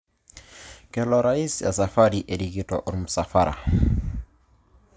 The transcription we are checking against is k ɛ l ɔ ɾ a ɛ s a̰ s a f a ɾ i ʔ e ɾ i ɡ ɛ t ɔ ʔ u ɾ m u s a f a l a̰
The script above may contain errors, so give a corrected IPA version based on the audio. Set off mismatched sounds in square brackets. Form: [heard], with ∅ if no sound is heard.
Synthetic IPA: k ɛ l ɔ ɾ a [i] s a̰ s a f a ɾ i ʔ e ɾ i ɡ [i] t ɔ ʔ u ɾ m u s a f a [ɾ] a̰